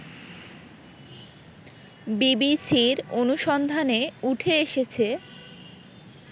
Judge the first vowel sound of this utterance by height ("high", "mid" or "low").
high